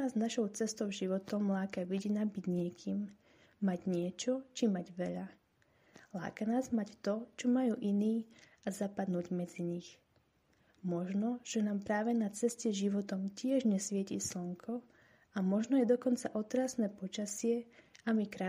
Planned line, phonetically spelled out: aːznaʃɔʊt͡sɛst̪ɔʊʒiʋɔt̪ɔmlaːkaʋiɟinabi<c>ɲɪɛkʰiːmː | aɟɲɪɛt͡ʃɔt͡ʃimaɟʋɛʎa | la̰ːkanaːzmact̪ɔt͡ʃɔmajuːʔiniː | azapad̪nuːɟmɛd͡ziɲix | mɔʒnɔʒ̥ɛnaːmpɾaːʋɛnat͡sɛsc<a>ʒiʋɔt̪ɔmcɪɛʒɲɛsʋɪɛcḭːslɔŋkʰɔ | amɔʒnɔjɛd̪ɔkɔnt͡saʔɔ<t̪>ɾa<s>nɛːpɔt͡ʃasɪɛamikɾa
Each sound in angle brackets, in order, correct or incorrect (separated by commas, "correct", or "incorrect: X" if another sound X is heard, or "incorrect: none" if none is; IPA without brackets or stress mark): incorrect: ɟ, incorrect: ɛ, correct, correct